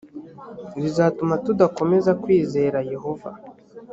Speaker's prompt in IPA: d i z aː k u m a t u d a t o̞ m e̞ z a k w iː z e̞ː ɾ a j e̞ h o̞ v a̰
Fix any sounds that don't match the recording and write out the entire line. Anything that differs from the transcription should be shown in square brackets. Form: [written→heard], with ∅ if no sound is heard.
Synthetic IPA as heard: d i z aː [k→t] u m a t u d a [t→k] o̞ m e̞ z a k w iː z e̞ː ɾ a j e̞ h o̞ v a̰